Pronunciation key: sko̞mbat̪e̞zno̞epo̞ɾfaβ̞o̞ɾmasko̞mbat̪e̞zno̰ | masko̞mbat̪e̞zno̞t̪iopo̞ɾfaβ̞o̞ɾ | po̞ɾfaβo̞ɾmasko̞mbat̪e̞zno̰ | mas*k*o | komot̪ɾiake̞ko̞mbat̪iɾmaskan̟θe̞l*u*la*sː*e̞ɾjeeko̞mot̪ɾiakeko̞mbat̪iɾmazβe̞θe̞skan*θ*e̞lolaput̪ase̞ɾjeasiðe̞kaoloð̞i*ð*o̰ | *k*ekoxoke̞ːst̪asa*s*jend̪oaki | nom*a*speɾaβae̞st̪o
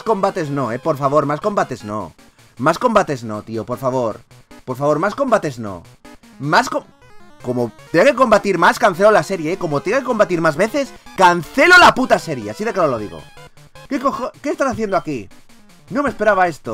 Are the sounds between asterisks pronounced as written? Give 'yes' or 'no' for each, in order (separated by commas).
yes, no, no, yes, no, yes, no, no